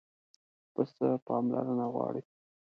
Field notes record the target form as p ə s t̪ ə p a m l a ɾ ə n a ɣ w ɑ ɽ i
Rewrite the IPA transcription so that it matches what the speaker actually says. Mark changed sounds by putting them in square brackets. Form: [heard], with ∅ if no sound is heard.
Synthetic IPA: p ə s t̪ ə p [ɑ] m l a ɾ ə n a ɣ w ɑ ɽ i